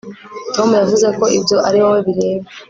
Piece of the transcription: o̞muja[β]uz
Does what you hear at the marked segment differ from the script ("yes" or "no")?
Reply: yes